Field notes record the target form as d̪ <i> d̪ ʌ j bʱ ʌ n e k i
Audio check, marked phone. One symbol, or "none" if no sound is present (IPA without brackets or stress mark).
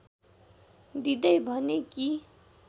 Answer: i